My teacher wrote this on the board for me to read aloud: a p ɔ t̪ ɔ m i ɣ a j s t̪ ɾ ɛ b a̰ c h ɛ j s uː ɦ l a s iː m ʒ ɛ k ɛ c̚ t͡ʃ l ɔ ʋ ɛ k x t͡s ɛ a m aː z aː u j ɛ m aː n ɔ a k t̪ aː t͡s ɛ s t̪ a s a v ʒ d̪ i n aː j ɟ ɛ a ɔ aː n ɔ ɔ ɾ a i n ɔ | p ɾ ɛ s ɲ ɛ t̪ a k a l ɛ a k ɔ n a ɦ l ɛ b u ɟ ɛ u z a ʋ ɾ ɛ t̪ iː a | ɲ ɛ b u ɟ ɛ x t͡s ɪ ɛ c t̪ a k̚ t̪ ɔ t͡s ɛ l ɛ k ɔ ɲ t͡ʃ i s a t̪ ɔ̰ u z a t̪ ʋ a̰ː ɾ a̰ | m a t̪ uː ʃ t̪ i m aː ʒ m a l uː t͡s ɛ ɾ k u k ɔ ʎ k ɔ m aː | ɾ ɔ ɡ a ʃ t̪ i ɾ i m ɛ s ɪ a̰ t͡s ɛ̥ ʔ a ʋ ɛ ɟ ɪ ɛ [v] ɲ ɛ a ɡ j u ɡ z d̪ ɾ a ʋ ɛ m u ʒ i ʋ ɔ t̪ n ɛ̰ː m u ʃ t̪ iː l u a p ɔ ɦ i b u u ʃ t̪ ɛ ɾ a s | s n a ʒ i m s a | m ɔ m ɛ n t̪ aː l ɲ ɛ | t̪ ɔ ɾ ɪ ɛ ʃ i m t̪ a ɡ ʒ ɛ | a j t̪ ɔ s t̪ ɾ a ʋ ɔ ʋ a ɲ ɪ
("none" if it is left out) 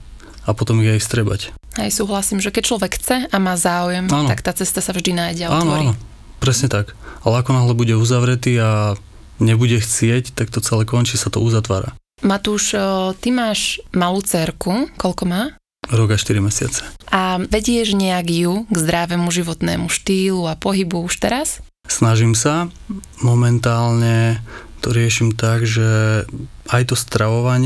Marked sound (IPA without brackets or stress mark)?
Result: ʒ